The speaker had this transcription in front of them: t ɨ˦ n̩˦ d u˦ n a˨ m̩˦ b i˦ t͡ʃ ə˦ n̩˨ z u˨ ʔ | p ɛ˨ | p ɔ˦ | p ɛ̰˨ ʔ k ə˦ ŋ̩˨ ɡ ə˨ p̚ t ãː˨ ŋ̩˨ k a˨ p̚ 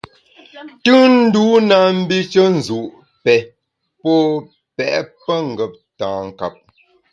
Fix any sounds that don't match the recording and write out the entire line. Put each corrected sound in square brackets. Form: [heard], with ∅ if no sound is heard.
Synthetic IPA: t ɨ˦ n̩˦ d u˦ n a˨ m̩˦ b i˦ t͡ʃ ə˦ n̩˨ z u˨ ʔ | p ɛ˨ | p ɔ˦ | p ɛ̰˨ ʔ [p] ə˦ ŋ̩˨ ɡ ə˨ p̚ t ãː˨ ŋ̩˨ k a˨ p̚